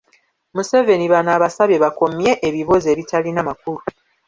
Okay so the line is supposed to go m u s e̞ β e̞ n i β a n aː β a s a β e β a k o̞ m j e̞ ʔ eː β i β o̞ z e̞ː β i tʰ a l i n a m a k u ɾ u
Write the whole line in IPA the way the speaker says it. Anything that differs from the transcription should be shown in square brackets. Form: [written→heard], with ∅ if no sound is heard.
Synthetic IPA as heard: m u s e̞ [β→v] e̞ n i β a n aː β a s a β e β a k o̞ m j e̞ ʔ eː β i β o̞ z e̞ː β i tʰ a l i n a m a k u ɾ u